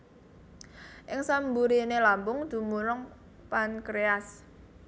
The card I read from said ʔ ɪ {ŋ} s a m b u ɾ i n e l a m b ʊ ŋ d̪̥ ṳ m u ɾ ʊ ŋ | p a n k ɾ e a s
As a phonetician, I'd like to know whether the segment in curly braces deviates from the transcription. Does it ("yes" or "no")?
no